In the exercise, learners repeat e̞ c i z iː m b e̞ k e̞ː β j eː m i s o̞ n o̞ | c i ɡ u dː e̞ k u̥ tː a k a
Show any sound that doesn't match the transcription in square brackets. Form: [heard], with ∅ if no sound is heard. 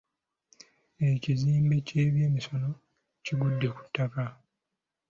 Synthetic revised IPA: e̞ c i z iː m b e̞ [c] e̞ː β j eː m i s o̞ n o̞ | c i ɡ u dː e̞ k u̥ tː a k a